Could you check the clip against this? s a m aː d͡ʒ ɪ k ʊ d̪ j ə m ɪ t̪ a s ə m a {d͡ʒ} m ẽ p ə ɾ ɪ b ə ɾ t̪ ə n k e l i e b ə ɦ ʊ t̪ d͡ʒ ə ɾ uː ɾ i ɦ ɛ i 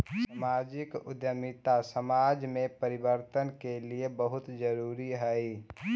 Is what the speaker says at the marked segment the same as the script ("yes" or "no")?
yes